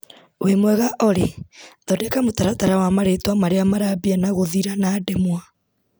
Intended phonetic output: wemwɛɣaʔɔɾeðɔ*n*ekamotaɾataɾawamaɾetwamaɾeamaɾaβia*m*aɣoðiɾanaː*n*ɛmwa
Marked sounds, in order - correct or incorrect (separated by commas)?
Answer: incorrect, incorrect, incorrect